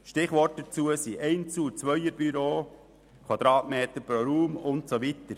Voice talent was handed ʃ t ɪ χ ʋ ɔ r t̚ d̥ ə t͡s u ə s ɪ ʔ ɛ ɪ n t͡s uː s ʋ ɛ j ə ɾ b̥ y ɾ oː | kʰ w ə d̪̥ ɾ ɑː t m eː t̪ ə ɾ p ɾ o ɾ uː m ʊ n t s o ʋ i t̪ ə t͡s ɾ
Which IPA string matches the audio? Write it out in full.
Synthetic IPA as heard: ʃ t ɪ χ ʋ ɔ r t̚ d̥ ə t͡s u ə s i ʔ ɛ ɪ n t͡s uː t͡s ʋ œ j ə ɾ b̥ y ɾ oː | kʰ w ɑ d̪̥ ɾ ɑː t m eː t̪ ə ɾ p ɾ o ɾ uː m ʊ n t s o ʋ i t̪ ə ɾ